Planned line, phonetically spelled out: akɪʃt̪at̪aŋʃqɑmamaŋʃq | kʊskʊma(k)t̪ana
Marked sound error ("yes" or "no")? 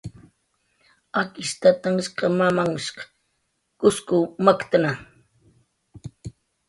no